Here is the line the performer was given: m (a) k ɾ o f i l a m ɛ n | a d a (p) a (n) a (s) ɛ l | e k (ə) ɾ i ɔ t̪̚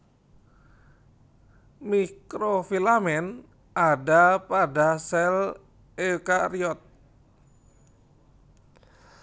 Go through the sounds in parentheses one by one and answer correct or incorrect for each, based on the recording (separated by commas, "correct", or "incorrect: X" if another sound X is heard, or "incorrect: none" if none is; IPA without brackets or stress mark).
incorrect: i, correct, incorrect: d, correct, incorrect: a